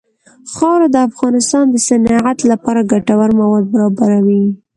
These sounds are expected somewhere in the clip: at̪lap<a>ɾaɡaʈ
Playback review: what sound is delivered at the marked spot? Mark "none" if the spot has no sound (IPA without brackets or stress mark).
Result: ɑ